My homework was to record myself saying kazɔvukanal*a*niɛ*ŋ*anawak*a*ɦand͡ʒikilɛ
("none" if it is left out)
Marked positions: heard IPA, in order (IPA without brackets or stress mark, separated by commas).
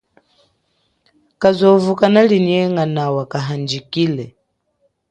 i, ŋ, a